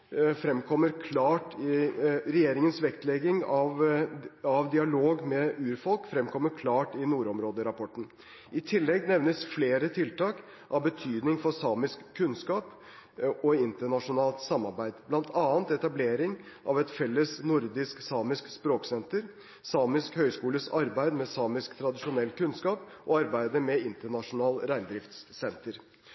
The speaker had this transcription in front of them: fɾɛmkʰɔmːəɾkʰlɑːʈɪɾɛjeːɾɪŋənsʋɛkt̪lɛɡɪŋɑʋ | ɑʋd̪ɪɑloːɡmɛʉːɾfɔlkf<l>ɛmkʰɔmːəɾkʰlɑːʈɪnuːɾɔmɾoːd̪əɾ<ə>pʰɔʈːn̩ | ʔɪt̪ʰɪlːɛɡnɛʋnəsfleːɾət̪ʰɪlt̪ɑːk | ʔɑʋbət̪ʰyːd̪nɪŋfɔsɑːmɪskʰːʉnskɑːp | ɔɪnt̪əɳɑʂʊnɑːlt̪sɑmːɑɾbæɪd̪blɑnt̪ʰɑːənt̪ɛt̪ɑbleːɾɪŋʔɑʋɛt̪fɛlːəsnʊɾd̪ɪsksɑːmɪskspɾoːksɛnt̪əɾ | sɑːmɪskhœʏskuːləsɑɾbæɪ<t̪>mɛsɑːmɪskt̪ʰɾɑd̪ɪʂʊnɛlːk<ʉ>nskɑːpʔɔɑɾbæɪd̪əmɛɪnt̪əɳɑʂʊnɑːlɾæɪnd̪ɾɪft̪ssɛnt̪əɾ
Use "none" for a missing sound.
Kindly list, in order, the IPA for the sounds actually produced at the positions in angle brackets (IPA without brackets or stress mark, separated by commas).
ɾ, ɑ, d̪, ʉ